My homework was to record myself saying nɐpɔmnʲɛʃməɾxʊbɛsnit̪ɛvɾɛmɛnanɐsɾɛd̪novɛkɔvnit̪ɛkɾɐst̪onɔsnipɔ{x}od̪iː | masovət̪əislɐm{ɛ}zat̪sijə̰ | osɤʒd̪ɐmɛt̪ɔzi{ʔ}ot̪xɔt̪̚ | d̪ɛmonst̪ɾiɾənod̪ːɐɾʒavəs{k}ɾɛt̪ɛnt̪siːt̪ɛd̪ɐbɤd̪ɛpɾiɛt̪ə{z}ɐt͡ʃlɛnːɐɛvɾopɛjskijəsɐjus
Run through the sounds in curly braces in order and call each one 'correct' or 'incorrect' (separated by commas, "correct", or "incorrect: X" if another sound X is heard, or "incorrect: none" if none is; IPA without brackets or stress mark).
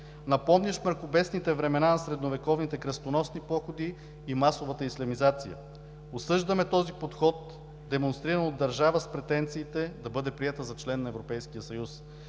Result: correct, incorrect: i, incorrect: p, incorrect: p, correct